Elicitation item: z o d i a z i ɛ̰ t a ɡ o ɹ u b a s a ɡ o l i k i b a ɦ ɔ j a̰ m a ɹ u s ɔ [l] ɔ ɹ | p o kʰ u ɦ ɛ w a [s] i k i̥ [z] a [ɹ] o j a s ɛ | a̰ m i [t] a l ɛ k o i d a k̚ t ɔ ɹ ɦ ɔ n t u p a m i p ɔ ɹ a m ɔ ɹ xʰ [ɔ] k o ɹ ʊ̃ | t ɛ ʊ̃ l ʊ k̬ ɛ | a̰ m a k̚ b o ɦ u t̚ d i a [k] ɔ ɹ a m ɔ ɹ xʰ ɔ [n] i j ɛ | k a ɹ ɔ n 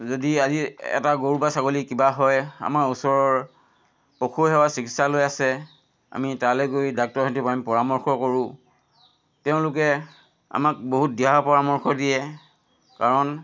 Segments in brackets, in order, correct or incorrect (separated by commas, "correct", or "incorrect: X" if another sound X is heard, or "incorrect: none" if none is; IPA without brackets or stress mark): incorrect: ɹ, correct, incorrect: s, incorrect: l, correct, correct, incorrect: p, incorrect: d